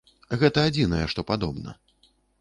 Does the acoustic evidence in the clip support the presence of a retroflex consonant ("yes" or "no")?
yes